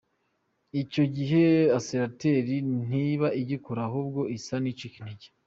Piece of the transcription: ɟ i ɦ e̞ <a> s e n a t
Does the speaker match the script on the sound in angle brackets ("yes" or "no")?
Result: yes